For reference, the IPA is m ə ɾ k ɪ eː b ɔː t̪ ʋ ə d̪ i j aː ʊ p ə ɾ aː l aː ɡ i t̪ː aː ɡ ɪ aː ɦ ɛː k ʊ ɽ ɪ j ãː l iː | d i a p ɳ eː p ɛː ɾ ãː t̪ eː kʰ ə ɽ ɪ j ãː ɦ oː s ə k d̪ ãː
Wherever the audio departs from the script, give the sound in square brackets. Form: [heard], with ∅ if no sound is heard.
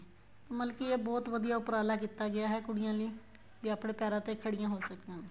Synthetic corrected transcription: m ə [l] k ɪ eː b ɔː t̪ ʋ ə d̪ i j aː ʊ p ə ɾ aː l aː [k] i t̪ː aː ɡ ɪ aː ɦ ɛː k ʊ ɽ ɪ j ãː l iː | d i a p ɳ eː p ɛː ɾ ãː t̪ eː kʰ ə ɽ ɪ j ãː ɦ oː s ə k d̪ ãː

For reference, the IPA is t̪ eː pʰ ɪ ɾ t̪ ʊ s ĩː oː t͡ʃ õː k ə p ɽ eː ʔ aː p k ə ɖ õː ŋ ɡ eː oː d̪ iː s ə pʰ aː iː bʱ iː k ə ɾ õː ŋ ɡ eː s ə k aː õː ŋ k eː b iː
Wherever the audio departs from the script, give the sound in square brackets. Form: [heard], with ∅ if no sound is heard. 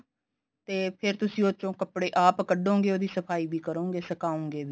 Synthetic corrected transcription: t̪ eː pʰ ɪ ɾ t̪ ʊ s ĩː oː t͡ʃ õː k ə p ɽ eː ʔ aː p k ə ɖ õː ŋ ɡ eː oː d̪ iː s ə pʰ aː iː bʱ iː k ə ɾ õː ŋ ɡ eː s ə k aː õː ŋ [ɡ] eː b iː

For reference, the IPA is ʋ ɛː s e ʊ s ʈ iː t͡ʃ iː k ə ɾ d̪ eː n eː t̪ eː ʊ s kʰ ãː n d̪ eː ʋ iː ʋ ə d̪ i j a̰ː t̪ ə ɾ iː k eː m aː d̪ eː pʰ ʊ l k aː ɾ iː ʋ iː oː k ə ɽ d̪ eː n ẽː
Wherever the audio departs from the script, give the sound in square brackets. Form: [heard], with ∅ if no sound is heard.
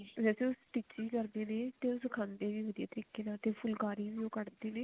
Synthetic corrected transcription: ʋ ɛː s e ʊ s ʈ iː t͡ʃ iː k ə ɾ d̪ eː n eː t̪ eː ʊ s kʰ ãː n d̪ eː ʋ iː ʋ ə d̪ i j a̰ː t̪ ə ɾ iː k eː [n] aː [t̪] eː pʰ ʊ l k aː ɾ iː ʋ iː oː k ə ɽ d̪ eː n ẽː

